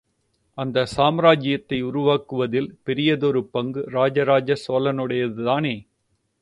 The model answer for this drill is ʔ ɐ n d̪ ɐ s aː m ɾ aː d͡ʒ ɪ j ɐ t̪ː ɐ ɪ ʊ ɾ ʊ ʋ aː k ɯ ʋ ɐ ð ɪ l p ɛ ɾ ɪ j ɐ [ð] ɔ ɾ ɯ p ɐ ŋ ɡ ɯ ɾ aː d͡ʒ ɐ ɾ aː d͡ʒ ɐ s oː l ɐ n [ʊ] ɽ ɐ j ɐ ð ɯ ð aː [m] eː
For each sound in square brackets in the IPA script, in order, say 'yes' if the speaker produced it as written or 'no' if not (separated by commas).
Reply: yes, no, no